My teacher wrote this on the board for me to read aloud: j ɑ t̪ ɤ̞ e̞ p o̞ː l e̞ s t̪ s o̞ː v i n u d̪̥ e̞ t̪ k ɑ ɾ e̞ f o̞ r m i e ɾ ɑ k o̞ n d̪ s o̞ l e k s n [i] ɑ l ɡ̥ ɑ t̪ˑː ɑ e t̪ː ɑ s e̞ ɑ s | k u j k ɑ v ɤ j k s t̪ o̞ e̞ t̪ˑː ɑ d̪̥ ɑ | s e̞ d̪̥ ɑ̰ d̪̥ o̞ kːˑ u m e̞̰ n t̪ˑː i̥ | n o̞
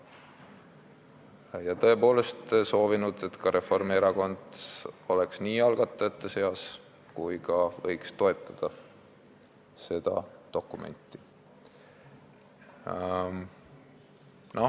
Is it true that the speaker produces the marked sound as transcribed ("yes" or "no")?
no